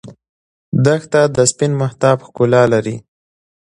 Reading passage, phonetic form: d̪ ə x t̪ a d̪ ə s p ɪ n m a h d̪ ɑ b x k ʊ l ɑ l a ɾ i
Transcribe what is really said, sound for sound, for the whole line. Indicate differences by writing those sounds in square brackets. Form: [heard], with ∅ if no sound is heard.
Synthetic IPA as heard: d̪ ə x t̪ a d̪ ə s p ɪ n m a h [t̪] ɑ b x k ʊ l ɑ l a ɾ i